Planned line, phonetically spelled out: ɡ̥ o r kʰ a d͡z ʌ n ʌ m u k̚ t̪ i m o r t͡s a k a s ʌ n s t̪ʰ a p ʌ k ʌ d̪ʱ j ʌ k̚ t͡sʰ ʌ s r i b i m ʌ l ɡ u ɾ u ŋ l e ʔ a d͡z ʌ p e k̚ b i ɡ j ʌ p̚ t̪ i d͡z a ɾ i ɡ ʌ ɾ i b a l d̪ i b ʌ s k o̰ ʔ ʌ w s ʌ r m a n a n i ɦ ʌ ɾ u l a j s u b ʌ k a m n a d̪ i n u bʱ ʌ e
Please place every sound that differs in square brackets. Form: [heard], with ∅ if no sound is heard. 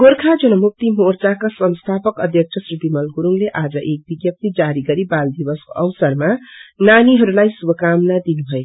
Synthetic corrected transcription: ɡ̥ o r kʰ a d͡z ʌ n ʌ m u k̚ t̪ i m o r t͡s a k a s ʌ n s t̪ʰ a p ʌ k ʌ d̪ʱ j ʌ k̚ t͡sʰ ʌ s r i b i m ʌ l ɡ u ɾ u ŋ l e ʔ a d͡z ʌ [ʔ] e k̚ b i ɡ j ʌ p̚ t̪ i d͡z a ɾ i ɡ ʌ ɾ i b a l d̪ i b ʌ s k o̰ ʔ ʌ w s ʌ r m a n a n i ɦ ʌ ɾ u l a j s u b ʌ k a m n a d̪ i n u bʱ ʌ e